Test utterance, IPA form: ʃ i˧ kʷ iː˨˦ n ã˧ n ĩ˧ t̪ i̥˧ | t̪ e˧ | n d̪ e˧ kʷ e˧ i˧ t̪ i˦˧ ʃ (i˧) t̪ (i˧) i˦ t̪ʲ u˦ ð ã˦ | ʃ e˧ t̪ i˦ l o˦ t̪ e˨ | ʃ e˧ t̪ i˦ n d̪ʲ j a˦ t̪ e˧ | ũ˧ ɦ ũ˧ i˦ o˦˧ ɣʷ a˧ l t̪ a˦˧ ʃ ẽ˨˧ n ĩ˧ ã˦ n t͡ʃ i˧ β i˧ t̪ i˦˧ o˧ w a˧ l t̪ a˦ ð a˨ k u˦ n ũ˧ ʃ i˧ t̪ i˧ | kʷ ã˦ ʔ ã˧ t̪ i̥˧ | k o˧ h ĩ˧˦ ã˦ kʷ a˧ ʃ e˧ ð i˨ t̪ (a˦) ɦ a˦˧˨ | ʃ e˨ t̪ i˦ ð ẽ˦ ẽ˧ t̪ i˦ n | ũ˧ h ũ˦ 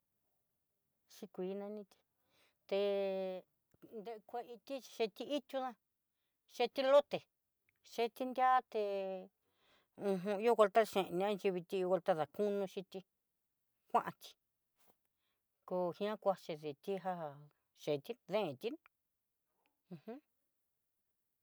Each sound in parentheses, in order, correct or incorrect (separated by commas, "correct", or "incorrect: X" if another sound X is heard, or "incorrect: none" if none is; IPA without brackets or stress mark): incorrect: e˧, correct, incorrect: i˦